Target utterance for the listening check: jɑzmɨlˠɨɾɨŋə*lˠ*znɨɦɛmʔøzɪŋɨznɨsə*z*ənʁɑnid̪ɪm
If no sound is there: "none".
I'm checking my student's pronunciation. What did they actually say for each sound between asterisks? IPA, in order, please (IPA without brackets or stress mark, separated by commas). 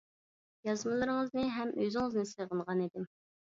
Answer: none, ʁ